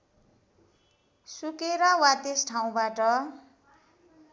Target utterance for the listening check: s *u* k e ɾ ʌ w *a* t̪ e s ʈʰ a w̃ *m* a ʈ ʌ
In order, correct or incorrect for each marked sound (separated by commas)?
correct, correct, incorrect